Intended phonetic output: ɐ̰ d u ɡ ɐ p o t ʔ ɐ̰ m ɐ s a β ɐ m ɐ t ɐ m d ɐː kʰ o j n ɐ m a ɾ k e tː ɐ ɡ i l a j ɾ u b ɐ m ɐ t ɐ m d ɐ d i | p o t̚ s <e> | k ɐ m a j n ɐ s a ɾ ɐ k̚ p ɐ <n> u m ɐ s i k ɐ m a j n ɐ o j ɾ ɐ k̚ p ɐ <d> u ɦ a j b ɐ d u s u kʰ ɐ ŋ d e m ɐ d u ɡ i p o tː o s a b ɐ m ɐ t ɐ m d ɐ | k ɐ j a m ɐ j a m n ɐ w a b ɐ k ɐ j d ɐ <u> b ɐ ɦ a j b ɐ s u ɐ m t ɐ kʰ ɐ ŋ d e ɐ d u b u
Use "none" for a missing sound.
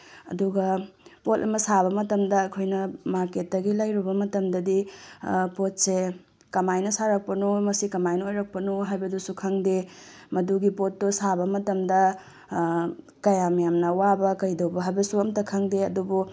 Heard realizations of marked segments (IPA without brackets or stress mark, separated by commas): e, n, n, w